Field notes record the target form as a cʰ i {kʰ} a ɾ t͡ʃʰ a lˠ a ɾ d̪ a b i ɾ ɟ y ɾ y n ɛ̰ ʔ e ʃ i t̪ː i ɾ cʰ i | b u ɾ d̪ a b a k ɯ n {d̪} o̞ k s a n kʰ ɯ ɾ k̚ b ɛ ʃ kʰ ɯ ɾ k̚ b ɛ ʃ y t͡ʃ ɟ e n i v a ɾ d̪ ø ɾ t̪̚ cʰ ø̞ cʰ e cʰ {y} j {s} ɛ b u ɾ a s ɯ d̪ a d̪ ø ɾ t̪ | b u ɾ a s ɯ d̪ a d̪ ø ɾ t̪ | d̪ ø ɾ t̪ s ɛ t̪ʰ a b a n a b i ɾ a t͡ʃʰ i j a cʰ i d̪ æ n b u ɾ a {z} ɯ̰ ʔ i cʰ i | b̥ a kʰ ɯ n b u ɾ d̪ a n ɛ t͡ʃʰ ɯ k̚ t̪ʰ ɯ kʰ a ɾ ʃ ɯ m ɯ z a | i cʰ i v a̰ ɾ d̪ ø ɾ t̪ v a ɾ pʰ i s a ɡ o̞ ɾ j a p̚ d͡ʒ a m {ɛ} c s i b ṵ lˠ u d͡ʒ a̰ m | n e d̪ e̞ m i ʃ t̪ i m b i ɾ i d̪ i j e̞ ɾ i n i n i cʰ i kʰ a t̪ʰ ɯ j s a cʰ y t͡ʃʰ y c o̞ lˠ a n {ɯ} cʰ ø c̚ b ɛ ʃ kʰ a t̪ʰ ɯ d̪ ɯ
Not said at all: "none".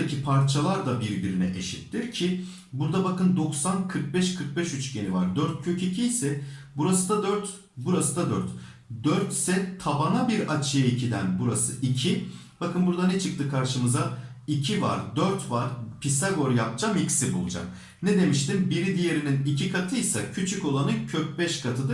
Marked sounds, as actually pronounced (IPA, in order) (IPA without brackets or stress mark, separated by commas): pʰ, d̪, i, s, s, i, ɯ